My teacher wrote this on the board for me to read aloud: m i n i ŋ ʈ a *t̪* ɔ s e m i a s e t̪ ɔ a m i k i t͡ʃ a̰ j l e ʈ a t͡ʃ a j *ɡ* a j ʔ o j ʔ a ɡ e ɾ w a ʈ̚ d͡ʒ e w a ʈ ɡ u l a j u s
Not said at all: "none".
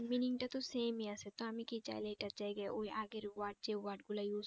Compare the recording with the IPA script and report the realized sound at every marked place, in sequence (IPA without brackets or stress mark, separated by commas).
t̪, ɡ